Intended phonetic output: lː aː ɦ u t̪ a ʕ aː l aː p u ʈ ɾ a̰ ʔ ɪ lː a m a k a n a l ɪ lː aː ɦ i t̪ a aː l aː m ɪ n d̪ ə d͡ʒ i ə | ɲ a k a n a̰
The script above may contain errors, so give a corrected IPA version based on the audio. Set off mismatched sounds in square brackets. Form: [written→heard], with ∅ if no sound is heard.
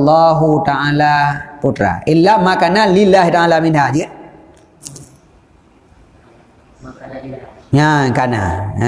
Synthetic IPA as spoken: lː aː ɦ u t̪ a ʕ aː l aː p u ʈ ɾ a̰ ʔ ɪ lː a m a k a n a l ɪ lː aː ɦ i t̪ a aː l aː m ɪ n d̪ [ə→a] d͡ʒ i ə | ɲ a k a n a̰